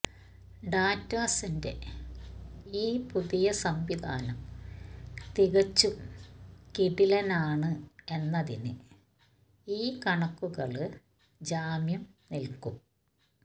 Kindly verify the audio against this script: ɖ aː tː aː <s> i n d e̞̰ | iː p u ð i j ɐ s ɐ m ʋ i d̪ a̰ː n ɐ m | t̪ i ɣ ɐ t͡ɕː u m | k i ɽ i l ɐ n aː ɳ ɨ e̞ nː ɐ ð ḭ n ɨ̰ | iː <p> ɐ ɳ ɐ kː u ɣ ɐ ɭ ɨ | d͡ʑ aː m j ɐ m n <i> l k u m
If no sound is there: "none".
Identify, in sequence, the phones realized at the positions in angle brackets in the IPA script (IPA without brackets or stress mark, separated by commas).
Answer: s, k, i